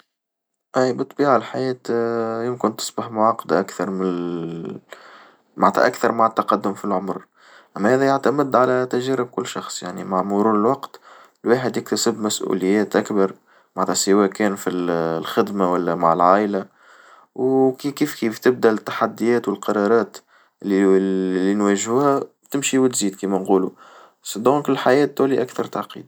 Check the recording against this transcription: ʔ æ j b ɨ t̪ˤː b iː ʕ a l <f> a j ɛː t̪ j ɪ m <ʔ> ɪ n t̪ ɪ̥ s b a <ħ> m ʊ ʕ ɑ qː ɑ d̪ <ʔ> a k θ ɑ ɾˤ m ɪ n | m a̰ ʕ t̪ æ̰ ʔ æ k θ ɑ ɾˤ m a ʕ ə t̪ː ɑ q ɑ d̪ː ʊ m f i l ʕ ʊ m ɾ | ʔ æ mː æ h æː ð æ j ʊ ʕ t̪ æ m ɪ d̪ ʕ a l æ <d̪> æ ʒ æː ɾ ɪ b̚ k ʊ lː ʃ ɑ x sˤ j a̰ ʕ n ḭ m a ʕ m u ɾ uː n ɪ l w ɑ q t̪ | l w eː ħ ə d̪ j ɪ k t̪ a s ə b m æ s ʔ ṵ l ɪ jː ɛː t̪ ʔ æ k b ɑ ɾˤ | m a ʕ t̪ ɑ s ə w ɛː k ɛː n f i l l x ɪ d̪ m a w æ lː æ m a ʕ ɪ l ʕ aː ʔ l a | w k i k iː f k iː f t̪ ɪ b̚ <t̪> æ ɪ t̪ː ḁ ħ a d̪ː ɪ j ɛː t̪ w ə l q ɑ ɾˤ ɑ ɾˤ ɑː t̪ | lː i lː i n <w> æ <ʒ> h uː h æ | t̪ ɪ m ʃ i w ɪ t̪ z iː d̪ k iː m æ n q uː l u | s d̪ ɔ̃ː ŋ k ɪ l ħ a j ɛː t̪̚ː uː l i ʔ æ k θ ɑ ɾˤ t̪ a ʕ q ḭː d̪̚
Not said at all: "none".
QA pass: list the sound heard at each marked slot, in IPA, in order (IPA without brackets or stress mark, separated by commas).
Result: ħ, k, ħ, ʔ, t̪, d̪, w, ʒ